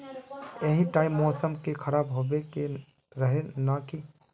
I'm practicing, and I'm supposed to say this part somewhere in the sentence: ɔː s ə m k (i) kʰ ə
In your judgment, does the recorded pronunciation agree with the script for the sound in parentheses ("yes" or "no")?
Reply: no